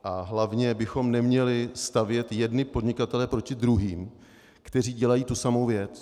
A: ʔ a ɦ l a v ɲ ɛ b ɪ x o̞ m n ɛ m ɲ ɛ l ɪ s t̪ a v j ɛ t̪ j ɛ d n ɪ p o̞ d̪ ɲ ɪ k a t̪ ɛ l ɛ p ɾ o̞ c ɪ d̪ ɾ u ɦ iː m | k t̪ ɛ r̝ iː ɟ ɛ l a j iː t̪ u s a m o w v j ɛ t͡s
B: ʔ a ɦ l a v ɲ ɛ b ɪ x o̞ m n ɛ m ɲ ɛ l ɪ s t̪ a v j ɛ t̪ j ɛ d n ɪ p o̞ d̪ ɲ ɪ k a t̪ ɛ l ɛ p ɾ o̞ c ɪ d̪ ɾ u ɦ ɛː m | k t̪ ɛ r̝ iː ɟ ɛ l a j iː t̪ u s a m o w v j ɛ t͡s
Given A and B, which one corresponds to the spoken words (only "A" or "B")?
A